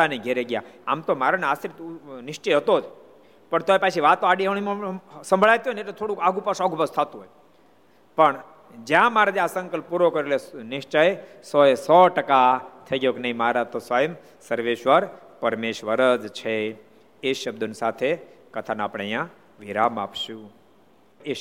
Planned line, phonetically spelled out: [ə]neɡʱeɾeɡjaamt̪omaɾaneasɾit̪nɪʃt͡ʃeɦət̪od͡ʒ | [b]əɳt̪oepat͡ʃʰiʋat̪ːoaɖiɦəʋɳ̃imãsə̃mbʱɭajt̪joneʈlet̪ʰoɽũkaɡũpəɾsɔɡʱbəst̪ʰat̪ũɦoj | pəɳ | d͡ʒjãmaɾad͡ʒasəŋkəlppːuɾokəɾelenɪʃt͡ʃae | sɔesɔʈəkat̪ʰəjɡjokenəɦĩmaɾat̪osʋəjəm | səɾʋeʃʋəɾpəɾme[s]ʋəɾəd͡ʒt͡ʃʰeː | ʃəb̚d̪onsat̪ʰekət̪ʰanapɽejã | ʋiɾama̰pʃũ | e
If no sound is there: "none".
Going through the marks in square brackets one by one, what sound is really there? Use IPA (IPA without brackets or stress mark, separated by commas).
a, p, ʃ